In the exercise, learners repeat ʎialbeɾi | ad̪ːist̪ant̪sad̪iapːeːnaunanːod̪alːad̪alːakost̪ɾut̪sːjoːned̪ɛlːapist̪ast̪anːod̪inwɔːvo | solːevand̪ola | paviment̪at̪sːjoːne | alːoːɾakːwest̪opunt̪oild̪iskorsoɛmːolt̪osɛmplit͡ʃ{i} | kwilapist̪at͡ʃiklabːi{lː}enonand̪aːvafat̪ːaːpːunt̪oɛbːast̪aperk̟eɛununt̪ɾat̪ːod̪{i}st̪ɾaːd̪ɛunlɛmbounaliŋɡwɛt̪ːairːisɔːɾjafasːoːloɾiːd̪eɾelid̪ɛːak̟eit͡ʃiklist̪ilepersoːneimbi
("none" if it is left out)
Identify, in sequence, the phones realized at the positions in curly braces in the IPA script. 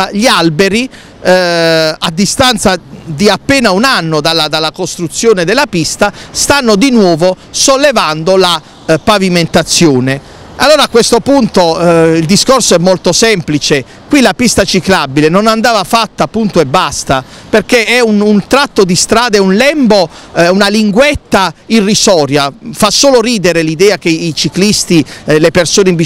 e, l, i

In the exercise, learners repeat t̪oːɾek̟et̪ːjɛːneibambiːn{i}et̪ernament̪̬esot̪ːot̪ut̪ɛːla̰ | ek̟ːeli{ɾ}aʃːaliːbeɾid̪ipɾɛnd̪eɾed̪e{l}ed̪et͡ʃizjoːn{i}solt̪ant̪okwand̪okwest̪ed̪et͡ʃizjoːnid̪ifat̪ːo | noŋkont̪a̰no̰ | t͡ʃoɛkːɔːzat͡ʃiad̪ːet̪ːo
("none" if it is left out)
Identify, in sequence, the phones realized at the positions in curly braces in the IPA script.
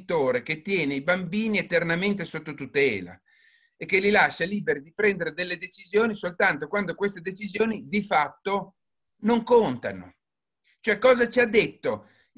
i, l, lː, i

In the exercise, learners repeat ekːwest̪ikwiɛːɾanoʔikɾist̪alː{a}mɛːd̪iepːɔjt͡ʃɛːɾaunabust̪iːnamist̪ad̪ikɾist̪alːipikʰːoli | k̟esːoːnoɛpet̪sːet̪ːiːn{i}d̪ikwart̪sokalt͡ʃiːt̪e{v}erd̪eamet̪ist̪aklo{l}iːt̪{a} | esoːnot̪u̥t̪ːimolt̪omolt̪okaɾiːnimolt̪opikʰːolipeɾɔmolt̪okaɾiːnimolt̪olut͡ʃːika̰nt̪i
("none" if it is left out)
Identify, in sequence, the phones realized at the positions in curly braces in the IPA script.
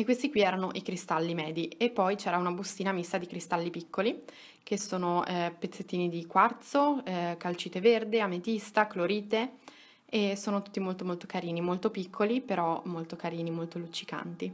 i, i, v, ɾ, e

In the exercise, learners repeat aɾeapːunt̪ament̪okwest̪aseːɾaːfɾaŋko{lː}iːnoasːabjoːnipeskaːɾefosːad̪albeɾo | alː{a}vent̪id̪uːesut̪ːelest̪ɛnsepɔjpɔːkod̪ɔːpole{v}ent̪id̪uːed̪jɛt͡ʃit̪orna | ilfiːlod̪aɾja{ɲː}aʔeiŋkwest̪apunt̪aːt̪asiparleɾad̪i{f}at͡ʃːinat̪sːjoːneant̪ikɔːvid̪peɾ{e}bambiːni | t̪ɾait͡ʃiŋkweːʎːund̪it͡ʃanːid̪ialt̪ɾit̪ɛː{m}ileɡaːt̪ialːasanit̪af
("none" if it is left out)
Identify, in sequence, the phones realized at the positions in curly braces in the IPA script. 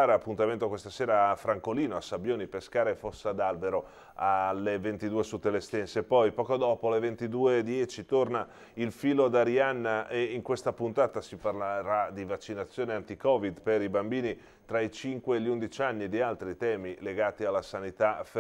l, e, v, nː, v, i, m

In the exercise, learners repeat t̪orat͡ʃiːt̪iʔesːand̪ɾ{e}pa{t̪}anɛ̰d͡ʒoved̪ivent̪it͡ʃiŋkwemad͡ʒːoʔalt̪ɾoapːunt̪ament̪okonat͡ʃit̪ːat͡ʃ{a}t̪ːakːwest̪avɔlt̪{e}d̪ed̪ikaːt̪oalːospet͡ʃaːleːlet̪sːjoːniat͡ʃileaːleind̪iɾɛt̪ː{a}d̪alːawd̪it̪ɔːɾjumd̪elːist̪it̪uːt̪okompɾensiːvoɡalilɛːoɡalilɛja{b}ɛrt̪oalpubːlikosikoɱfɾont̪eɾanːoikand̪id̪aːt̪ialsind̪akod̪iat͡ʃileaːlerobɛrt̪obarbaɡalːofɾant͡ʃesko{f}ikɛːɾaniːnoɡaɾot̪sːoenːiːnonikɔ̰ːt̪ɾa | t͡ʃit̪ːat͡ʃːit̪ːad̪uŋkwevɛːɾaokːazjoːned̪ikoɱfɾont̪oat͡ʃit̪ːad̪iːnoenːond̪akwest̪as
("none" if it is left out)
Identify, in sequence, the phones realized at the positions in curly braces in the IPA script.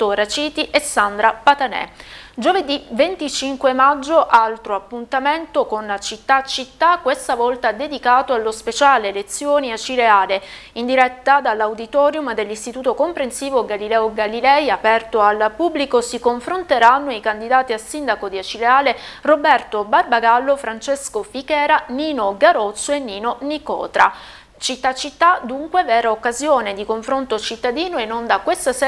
a, t̪, i, a, a, p, f

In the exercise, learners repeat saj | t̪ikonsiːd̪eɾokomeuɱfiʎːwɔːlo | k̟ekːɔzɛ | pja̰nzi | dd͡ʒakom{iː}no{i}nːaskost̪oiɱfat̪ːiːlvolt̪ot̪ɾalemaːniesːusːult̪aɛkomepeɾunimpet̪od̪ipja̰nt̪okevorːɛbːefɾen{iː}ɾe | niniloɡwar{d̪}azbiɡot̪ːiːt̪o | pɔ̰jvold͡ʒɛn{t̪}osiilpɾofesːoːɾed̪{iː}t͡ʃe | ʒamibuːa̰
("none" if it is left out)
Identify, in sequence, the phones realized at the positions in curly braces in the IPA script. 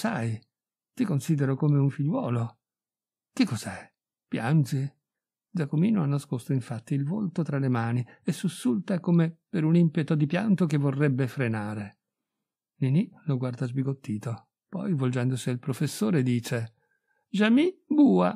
iː, a, aː, d̪, d̪, iː

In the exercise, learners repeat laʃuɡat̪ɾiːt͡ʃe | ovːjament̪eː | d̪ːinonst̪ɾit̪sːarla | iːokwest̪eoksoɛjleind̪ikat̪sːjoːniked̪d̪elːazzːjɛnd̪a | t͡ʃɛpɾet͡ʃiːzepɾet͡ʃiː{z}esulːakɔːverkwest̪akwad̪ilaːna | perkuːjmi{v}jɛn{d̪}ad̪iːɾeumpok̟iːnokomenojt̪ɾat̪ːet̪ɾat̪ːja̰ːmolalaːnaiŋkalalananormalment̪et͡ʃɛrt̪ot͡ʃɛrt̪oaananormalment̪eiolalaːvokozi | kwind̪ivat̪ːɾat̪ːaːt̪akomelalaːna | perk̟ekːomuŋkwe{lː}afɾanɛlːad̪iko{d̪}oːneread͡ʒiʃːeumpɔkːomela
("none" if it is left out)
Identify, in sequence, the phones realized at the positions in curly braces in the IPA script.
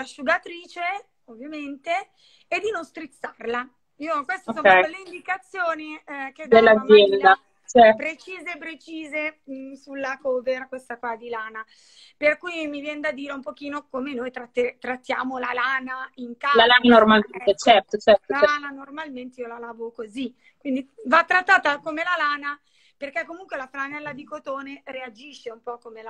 z, v, d̪, l, t̪

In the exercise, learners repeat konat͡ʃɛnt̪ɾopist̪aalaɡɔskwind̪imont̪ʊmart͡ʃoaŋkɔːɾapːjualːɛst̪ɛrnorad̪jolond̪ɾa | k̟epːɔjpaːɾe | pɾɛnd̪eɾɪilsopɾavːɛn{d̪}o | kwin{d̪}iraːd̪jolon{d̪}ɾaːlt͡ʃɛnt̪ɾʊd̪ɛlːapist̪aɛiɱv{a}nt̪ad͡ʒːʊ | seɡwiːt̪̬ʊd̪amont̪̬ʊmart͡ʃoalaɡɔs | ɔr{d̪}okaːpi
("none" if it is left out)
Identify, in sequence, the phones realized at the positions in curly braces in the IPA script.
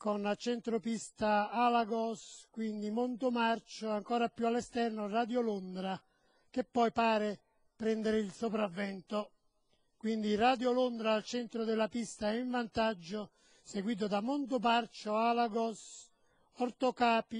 t̪, d̪, d̪, a, t̪

